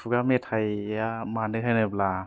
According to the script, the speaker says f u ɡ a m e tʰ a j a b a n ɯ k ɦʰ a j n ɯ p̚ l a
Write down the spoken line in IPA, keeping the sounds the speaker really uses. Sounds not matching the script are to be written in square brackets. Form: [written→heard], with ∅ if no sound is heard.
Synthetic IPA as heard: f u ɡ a m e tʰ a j a [b→m] a n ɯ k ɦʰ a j n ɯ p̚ l a